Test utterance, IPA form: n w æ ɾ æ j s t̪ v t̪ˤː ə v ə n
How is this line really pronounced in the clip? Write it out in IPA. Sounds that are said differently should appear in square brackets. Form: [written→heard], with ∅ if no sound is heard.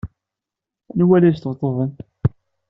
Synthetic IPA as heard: n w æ [ɾ→l] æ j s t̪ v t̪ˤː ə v ə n